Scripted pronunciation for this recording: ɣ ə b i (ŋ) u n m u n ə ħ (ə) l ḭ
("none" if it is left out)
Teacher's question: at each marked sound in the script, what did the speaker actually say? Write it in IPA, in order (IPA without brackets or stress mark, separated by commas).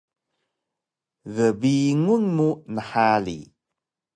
ŋ, a